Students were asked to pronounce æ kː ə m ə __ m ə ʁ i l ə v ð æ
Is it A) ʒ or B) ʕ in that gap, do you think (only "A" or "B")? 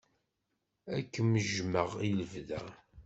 A